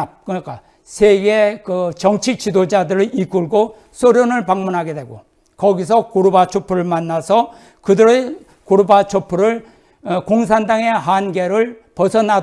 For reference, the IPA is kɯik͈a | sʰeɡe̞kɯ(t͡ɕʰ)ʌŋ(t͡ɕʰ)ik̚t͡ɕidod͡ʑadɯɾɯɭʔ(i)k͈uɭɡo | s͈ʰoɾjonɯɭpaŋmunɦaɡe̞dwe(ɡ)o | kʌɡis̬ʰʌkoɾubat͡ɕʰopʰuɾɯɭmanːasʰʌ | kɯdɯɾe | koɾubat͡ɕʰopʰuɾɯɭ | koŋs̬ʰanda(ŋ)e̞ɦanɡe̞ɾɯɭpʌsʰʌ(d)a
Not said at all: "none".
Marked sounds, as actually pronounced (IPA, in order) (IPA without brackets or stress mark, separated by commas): t͡ɕ, t͡ɕʰ, i, ɡ, ŋ, n